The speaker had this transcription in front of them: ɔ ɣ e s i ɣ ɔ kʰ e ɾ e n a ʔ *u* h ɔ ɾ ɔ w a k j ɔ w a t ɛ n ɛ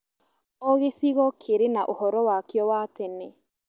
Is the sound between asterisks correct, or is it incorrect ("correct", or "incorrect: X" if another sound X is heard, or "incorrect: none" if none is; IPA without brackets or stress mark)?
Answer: incorrect: o